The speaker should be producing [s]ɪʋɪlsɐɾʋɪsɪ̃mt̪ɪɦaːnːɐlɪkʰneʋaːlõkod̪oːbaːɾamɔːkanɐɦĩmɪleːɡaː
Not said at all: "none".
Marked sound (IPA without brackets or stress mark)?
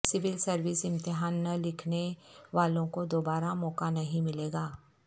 s